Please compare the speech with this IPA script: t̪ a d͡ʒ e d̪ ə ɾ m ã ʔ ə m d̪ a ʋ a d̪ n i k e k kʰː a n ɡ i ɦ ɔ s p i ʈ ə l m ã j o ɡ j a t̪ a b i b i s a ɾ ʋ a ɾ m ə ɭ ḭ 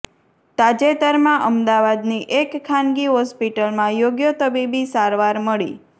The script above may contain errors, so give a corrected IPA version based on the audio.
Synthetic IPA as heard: t̪ a d͡ʒ e t̪ ə ɾ m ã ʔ ə m d̪ a ʋ a d̪ n i ʔ e k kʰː a n ɡ i ɦ ɔ s p i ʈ ə l m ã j o ɡ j ə t̪ ə b i b i s a ɾ ʋ a ɾ m ə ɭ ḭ